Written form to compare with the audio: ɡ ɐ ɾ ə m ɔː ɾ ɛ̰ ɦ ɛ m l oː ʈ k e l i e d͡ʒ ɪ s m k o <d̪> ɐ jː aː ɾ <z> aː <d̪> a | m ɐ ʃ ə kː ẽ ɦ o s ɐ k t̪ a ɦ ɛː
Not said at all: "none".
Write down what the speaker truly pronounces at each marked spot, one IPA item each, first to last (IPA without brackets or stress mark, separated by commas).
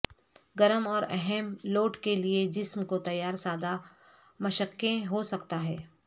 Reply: t̪, s, d̪